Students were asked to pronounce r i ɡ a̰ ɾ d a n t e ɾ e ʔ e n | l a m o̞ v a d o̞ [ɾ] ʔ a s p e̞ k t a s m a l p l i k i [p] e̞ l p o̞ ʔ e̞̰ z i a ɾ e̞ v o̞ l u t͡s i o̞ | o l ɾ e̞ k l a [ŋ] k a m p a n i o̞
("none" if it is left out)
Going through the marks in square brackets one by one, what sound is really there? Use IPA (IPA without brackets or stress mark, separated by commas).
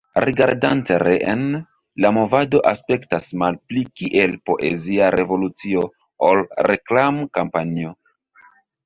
none, ʔ, m